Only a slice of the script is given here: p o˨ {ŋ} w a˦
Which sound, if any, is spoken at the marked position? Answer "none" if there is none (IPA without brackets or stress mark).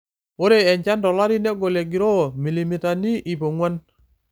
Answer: ŋ